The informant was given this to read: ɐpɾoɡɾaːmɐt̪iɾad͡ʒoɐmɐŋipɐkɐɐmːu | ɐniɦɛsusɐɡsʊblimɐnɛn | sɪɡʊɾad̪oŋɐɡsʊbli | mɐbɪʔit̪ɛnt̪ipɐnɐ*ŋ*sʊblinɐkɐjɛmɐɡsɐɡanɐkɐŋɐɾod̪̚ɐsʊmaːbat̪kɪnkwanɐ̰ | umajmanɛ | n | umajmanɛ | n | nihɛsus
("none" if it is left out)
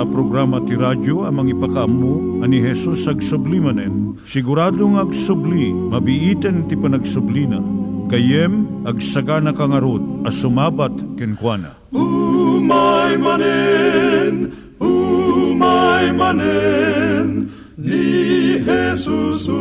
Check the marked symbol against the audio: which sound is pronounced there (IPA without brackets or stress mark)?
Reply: ɡ